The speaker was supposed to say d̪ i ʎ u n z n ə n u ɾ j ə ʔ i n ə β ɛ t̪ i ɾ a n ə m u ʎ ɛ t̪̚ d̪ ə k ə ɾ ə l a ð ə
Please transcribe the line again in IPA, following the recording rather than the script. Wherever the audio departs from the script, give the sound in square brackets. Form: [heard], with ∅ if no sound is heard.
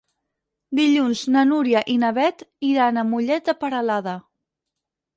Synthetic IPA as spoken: d̪ i ʎ u n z n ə n u ɾ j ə ʔ i n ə β ɛ t̪ i ɾ a n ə m u ʎ ɛ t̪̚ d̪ ə [p] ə ɾ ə l a ð ə